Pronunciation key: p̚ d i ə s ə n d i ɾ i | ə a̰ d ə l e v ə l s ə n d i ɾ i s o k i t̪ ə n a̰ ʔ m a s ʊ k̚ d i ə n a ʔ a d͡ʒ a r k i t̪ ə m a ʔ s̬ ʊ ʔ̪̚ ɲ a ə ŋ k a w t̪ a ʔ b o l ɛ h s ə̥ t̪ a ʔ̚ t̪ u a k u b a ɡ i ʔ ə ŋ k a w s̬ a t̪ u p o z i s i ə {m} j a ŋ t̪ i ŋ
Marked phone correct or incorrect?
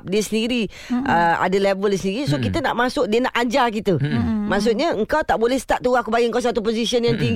incorrect